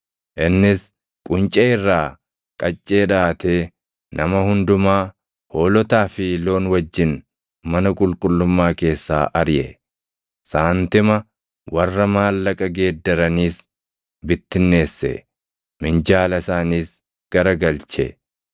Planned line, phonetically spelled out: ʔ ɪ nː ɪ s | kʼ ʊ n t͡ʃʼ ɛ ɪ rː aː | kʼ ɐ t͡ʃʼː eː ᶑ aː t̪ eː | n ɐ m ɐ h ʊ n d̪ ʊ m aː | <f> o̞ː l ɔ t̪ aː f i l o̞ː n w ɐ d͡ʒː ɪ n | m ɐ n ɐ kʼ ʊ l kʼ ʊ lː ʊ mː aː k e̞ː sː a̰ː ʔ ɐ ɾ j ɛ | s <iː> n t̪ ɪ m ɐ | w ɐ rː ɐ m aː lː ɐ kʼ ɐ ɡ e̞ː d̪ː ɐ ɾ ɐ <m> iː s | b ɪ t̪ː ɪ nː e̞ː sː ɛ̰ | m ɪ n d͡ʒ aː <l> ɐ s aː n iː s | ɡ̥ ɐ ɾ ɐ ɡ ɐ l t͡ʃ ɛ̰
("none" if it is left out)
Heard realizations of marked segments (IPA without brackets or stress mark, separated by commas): h, aː, n, l